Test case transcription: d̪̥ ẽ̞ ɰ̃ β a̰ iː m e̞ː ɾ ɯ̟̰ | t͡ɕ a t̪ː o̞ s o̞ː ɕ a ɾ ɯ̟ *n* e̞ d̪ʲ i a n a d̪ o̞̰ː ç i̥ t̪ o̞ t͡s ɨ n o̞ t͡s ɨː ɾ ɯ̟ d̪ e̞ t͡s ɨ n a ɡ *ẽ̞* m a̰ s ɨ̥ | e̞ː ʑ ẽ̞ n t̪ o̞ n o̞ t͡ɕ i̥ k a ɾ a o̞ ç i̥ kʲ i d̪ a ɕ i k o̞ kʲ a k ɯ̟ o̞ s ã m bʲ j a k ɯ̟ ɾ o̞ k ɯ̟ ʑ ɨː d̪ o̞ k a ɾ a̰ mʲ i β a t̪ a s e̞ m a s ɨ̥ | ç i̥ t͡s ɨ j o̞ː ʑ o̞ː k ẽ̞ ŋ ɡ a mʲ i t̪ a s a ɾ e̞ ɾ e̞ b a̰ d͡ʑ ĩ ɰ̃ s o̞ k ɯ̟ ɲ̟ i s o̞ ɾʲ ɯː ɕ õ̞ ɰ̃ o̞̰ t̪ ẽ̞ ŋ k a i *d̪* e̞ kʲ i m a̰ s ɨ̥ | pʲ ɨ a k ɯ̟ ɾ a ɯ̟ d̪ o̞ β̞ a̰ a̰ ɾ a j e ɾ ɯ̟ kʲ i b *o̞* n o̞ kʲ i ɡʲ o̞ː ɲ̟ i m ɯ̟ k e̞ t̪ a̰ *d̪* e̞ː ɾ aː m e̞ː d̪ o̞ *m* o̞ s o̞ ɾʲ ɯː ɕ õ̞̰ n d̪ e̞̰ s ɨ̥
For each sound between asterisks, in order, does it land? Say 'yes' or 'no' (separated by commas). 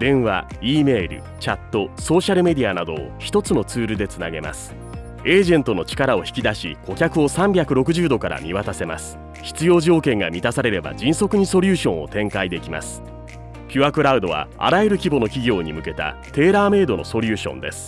no, no, yes, yes, no, no